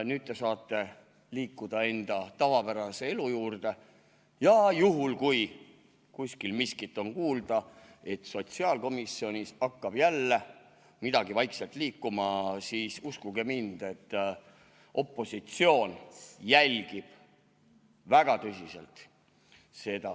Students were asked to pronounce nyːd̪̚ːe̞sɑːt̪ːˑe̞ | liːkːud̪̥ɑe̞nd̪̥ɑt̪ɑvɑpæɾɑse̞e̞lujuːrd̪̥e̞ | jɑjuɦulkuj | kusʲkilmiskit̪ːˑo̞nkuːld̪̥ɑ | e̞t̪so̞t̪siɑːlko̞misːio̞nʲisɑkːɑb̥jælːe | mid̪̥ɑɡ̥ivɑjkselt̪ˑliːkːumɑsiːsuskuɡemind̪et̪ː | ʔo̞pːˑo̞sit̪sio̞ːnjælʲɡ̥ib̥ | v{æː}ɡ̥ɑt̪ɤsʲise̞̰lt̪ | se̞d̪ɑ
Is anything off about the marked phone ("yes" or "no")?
yes